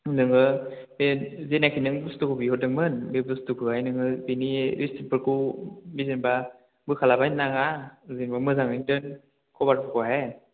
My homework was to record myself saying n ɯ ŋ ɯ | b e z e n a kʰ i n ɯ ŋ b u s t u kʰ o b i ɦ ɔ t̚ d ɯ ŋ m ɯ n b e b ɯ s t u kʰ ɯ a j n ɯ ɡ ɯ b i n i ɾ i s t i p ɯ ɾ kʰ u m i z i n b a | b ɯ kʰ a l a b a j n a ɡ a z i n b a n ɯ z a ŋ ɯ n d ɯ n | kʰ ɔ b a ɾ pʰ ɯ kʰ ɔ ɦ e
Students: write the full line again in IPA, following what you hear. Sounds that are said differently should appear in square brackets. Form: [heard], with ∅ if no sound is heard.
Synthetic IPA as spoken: n ɯ ŋ ɯ | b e z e n a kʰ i n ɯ ŋ b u s t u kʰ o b i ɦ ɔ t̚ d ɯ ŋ m ɯ n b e b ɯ s t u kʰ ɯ a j n ɯ [ŋ] ɯ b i n i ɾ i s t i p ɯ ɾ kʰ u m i z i n b a | b ɯ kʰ a l a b a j n a [ŋ] a z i n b a [m] ɯ z a ŋ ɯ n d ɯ n | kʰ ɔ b a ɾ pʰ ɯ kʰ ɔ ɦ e